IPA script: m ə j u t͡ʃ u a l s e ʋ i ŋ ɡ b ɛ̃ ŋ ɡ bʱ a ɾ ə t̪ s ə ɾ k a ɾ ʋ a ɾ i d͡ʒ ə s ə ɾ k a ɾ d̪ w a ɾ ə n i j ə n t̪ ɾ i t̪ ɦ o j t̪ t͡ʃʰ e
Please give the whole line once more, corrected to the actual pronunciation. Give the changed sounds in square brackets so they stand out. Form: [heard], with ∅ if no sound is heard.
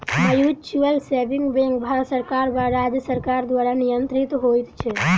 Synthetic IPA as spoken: m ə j u t͡ʃ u [ə] l s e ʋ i ŋ ɡ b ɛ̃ ŋ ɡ bʱ a ɾ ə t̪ s ə ɾ k a ɾ ʋ a ɾ [a] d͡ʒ ə s ə ɾ k a ɾ d̪ [ʋ] a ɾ [a] n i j ə n t̪ ɾ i t̪ ɦ o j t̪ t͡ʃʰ e